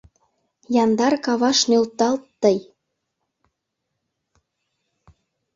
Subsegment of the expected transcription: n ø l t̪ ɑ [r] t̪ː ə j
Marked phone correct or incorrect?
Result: incorrect